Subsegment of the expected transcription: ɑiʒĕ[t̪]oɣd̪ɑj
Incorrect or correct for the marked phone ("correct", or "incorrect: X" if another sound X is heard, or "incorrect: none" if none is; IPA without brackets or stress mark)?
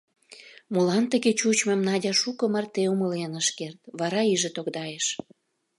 correct